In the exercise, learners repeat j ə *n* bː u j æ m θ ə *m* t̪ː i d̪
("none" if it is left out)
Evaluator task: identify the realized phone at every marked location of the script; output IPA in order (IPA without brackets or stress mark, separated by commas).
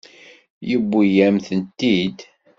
none, n